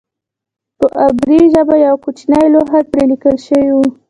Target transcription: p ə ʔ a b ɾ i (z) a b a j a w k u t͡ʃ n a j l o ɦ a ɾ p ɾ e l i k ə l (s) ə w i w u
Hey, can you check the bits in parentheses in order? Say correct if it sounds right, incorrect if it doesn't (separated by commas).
incorrect, incorrect